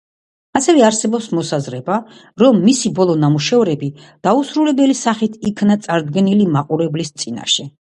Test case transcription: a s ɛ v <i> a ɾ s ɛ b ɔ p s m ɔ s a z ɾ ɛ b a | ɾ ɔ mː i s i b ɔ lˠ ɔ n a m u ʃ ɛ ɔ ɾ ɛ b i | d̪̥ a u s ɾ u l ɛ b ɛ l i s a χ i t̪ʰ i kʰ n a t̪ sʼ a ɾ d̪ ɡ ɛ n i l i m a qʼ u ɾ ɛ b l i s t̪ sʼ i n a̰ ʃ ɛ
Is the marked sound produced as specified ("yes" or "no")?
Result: no